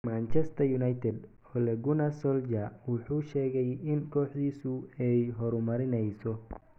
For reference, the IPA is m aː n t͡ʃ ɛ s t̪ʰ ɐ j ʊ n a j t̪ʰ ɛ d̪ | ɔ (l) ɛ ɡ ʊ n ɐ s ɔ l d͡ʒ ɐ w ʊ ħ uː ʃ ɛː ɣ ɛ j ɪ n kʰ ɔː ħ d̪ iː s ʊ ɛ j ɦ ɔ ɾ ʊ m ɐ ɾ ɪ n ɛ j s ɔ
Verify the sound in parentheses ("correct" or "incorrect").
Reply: correct